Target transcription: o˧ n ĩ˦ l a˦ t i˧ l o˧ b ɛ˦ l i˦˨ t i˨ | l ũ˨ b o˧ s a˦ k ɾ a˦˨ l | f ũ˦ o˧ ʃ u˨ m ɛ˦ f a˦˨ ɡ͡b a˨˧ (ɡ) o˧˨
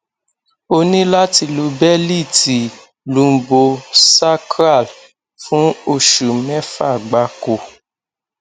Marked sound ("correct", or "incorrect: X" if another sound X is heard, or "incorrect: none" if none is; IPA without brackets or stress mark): incorrect: k